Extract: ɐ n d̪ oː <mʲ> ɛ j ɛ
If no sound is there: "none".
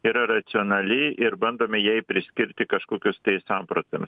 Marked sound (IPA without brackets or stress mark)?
mʲ